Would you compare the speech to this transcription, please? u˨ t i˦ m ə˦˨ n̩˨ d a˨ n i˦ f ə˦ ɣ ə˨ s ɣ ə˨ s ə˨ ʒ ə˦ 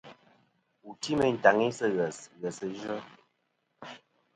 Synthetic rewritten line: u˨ t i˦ m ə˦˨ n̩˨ t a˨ ŋ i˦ s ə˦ ɣ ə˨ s ɣ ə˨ s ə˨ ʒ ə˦